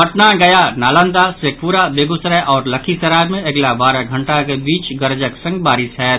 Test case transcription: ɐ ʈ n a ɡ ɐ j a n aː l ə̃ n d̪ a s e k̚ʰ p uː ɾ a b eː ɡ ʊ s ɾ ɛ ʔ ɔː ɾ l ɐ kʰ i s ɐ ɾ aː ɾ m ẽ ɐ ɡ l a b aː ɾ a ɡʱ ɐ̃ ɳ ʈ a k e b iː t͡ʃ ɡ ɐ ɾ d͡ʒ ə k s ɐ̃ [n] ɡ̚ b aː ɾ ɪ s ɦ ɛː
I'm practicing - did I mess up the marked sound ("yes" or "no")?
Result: yes